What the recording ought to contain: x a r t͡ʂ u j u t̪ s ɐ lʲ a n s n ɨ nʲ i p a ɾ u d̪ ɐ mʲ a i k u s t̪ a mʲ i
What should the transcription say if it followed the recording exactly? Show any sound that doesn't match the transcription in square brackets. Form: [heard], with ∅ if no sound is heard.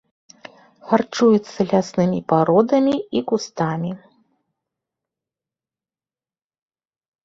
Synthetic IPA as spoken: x a r t͡ʂ u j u t̪ [sː] ɐ lʲ a [∅] s n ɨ [mʲ] i p a ɾ [ɔ] d̪ ɐ mʲ [i] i k u s t̪ a mʲ i